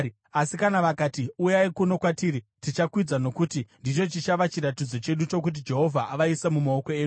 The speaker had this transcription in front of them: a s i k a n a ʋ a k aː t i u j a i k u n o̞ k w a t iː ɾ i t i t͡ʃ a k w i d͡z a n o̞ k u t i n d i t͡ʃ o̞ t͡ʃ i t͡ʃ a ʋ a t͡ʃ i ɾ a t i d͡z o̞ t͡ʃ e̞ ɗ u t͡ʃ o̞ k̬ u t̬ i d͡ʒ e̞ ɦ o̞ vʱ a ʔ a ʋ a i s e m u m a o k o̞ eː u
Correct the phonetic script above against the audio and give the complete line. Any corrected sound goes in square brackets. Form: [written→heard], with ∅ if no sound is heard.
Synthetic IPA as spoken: a s i k a n a ʋ a k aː t i u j a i k u n o̞ k w a t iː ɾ i t i t͡ʃ a k w i d͡z a n o̞ k u t i n d i t͡ʃ o̞ t͡ʃ i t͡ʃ a ʋ a t͡ʃ i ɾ a t i d͡z o̞ t͡ʃ e̞ ɗ u t͡ʃ o̞ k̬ u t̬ i d͡ʒ e̞ ɦ o̞ vʱ a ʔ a ʋ a i s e m u m a o k o̞ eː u